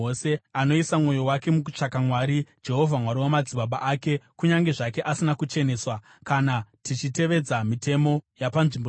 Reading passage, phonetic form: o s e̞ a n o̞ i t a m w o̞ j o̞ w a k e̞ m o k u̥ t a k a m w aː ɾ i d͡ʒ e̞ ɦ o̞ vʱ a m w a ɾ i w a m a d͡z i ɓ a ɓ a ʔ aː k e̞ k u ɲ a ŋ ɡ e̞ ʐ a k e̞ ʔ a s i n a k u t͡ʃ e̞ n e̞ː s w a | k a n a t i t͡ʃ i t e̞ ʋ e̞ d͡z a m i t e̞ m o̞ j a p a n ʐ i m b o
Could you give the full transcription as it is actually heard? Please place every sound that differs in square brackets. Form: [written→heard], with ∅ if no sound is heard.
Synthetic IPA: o s e̞ a n o̞ i [t→s] a m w o̞ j o̞ w a k e̞ m [o→u] k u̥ [t→t͡ʂ] a k a m w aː ɾ i d͡ʒ e̞ ɦ o̞ vʱ a m w a ɾ i w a m a d͡z i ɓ a ɓ a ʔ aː k e̞ k u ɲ a ŋ ɡ e̞ ʐ a k e̞ ʔ a s i n a k u t͡ʃ e̞ n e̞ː s w a | k a n a t i t͡ʃ i t e̞ ʋ e̞ d͡z a m i t e̞ m o̞ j a p a n ʐ i m b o

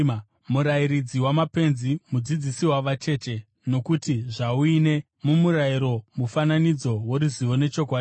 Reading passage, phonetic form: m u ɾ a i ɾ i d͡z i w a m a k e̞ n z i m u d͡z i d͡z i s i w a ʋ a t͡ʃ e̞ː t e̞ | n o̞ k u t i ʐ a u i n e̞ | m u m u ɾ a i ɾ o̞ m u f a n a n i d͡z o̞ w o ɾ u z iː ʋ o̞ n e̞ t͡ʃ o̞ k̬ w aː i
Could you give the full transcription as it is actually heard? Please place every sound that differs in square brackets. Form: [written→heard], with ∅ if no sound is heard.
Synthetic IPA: m u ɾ a i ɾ i d͡z i w a m a [k→p] e̞ n z i m u d͡z i d͡z i s i w a ʋ a t͡ʃ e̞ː [t→t͡ʃ] e̞ | n o̞ k u t i ʐ a u i n e̞ | m u m u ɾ a i ɾ o̞ m u f a n a n i d͡z o̞ w o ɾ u z [iː→i] ʋ o̞ n e̞ t͡ʃ o̞ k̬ w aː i

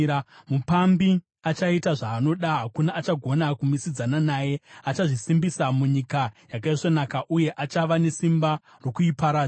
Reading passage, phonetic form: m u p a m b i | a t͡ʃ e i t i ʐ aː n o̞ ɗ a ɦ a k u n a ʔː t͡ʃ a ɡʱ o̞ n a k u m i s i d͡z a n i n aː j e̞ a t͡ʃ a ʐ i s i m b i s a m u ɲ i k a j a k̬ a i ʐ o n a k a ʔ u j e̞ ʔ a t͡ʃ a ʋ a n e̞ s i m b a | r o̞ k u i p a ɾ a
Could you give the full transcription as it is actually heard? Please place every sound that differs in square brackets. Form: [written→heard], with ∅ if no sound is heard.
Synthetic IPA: m u p a m b i | a t͡ʃ [e→a] i t [i→a] ʐ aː n o̞ ɗ a ɦ a k u n a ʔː t͡ʃ a ɡʱ o̞ n a k u m i s i d͡z a n [i→a] n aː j e̞ a t͡ʃ a ʐ i s i m b i s a m u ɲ i k a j a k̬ a i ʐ o n a k a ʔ u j e̞ ʔ a t͡ʃ a ʋ a n e̞ s i m b a | r o̞ k u i p a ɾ a

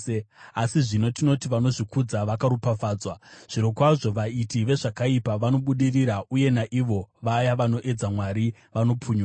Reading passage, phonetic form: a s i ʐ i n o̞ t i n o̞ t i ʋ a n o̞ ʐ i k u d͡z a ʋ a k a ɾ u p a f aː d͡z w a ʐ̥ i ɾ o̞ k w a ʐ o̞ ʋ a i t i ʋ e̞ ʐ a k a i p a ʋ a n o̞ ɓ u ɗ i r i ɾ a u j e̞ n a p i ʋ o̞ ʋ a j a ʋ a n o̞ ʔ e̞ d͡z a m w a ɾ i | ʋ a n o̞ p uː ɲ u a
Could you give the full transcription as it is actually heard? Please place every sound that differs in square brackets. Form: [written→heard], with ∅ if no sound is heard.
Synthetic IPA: a s i ʐ i n o̞ t i n o̞ t i ʋ a n o̞ ʐ i k u d͡z a ʋ a k a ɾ u p a f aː d͡z w a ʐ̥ i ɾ o̞ k w a ʐ o̞ ʋ a i t i ʋ e̞ ʐ a k a i p a ʋ a n o̞ ɓ u ɗ i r i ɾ a u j e̞ n a [p→ʔ] i ʋ o̞ ʋ a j a ʋ a n o̞ ʔ e̞ d͡z a m w a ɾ i | ʋ a n o̞ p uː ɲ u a

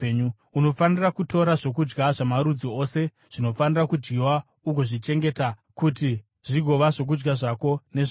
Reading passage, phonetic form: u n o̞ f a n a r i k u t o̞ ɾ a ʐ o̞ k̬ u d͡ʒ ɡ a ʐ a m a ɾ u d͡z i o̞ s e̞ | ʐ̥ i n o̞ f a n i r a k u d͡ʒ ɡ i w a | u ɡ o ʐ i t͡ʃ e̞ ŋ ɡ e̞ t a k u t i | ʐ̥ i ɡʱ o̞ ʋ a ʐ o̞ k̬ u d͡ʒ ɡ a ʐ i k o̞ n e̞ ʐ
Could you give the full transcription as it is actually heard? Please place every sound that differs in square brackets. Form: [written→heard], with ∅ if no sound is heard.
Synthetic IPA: u n o̞ f a n [a→i] r [i→a] k u t o̞ ɾ a ʐ o̞ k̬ u d͡ʒ ɡ a ʐ a m a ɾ u d͡z i o̞ s e̞ | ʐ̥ i n o̞ f a n i r a k u d͡ʒ ɡ i w a | u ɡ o ʐ i t͡ʃ e̞ ŋ ɡ e̞ t a k u t i | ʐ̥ i ɡʱ o̞ ʋ a ʐ o̞ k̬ u d͡ʒ ɡ a ʐ [i→a] k o̞ n e̞ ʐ

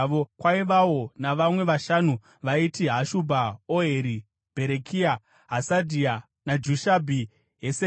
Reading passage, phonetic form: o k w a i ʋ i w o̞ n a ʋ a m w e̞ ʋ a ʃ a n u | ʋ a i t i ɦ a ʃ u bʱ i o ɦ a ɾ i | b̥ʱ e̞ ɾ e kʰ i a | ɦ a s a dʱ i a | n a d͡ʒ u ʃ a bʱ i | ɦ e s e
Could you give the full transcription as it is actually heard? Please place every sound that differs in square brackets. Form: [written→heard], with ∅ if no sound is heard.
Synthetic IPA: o k w a i ʋ [i→a] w o̞ n a ʋ a m w e̞ ʋ a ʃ a n u | ʋ a i t i ɦ a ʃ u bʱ [i→a] o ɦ [a→e] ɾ i | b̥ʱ e̞ ɾ e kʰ i a | ɦ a s a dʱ i a | n a d͡ʒ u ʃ a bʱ i | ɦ e s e

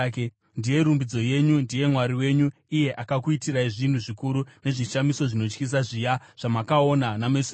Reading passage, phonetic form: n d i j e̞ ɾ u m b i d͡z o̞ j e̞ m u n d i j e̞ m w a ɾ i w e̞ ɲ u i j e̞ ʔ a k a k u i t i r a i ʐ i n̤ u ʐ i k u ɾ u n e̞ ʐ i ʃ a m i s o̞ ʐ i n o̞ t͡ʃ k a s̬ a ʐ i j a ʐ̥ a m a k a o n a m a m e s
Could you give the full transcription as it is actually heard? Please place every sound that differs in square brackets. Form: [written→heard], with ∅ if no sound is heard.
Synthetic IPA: n d i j e̞ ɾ u m b i d͡z o̞ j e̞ [m→ɲ] u n d i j e̞ m w a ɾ i w e̞ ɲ u i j e̞ ʔ a k a k u i t i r a i ʐ i n̤ u ʐ i k u ɾ u n e̞ ʐ i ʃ a m i s o̞ ʐ i n o̞ t͡ʃ k [a→i] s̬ a ʐ i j a ʐ̥ a m a k a o n a [m→n] a m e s

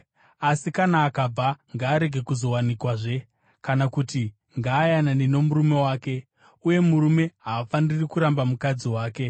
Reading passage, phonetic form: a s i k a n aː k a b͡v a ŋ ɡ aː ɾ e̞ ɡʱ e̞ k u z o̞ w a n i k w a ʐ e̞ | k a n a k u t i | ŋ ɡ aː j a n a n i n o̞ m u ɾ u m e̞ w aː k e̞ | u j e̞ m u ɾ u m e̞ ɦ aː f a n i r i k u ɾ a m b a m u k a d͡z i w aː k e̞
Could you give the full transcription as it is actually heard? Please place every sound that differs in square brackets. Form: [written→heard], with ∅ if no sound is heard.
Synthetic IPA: a s i k a n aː k a b͡v a ŋ ɡ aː ɾ e̞ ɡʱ e̞ k u z o̞ w a n i k w a ʐ e̞ | k a n a k u t i | ŋ ɡ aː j a n a n i n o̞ m u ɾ u m e̞ w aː k e̞ | u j e̞ m u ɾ u m e̞ ɦ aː f a n i r i k u ɾ a m b a m u k a d͡z i w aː k e̞

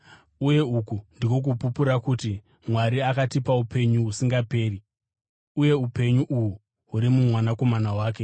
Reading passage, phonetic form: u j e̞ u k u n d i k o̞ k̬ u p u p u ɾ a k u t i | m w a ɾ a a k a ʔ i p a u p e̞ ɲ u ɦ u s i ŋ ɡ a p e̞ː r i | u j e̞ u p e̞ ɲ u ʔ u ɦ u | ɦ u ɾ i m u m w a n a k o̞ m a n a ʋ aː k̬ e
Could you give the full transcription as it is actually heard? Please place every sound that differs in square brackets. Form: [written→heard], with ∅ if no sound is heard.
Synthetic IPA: u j e̞ u k u n d i k o̞ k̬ u p u p u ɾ a k u t i | m w a ɾ [a→i] a k a [ʔ→t] i p a u p e̞ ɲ u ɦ u s i ŋ ɡ a p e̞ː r i | u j e̞ u p e̞ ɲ u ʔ u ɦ u | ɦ u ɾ i m u m w a n a k o̞ m a n a [ʋ→w] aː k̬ e

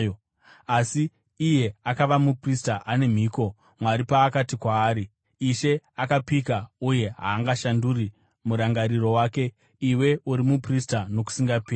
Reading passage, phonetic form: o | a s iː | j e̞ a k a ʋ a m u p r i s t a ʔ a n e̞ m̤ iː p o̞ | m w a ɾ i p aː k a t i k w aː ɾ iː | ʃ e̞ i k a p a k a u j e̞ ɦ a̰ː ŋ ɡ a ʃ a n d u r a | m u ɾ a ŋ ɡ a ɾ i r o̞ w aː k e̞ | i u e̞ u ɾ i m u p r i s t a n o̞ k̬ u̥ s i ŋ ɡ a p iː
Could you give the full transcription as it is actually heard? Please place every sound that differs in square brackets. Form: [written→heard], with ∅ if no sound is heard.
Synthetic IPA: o | a s iː | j e̞ a k a ʋ a m u p r i s t a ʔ a n e̞ m̤ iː [p→k] o̞ | m w a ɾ i p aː k a t i k w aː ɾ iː | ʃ e̞ [i→a] k a p [a→i] k a u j e̞ ɦ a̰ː ŋ ɡ a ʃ a n d u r [a→i] | m u ɾ a ŋ ɡ a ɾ i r o̞ w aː k e̞ | i [u→w] e̞ u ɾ i m u p r i s t a n o̞ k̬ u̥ s i ŋ ɡ a p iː

